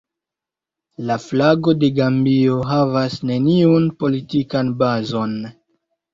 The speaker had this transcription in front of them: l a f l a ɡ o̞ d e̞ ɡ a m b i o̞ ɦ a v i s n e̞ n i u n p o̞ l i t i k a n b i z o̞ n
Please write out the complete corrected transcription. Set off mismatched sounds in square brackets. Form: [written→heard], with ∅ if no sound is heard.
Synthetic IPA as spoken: l a f l a ɡ o̞ d e̞ ɡ a m b i o̞ ɦ a v [i→a] s n e̞ n i u n p o̞ l i t i k a n b [i→a] z o̞ n